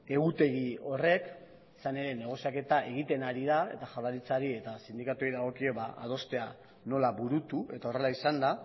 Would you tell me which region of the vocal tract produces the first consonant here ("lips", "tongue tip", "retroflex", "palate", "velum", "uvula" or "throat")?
velum